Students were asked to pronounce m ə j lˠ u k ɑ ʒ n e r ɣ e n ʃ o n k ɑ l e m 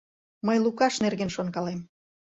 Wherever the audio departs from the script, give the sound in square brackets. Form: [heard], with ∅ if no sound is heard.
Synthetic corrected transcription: m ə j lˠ u k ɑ [ʃ] n e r ɣ e n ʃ o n k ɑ l e m